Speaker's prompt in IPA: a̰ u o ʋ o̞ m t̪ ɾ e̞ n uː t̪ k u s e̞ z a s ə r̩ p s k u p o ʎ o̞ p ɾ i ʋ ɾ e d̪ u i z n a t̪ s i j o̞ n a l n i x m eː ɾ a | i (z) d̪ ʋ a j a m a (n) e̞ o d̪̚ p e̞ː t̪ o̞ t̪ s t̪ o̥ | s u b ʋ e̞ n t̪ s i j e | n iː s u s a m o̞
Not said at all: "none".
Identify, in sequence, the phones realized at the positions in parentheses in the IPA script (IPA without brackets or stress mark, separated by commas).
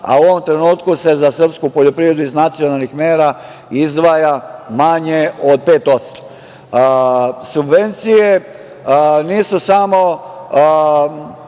z, ɲ